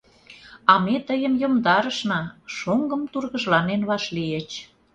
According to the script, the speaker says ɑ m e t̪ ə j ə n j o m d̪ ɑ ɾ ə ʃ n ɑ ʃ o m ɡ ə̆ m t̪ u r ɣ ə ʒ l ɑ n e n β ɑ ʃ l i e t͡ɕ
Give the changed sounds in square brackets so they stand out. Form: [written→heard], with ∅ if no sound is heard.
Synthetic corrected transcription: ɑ m e t̪ ə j ə [n→m] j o m d̪ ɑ ɾ ə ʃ n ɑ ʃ o [m→ŋ] ɡ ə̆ m t̪ u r ɣ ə ʒ l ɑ n e n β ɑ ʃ l i e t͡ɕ